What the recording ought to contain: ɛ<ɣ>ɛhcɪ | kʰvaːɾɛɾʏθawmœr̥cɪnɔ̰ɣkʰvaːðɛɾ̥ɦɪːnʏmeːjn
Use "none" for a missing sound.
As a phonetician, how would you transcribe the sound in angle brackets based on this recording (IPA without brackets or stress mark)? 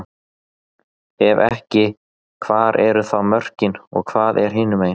v